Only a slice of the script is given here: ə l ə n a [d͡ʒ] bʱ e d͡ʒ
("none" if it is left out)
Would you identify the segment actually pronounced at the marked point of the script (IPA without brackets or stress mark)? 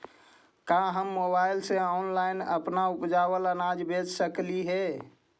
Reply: d͡ʒ